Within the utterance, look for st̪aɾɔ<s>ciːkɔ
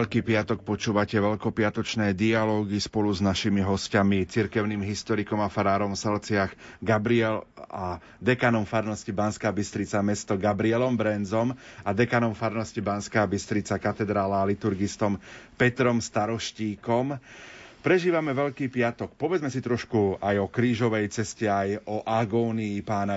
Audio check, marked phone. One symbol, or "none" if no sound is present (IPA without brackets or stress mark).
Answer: ʃ